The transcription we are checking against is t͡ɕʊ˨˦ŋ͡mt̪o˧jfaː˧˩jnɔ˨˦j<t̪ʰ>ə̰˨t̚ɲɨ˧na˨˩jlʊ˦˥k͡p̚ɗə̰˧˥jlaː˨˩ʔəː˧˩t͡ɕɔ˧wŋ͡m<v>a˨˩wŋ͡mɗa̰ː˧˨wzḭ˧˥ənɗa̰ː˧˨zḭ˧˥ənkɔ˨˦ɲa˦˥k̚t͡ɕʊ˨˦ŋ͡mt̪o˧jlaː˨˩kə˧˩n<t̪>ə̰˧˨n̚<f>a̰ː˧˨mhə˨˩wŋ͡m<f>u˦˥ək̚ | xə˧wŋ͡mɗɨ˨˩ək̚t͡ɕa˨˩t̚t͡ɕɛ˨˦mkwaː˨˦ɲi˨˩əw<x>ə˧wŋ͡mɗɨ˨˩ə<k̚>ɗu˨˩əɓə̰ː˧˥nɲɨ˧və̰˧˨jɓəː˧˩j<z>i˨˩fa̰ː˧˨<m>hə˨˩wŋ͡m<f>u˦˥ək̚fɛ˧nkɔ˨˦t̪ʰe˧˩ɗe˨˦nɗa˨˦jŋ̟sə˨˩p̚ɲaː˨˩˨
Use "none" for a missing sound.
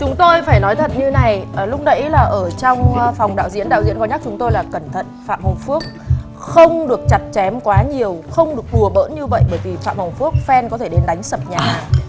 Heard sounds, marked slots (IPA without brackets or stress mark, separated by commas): t̪ʰ, f, t̪ʰ, f, f, x, k̚, v, m, f